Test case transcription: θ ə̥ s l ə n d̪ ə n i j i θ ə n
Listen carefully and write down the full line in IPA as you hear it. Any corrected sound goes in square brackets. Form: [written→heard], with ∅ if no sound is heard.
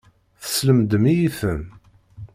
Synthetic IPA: θ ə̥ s l ə [n→m] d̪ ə [n→m] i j i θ ə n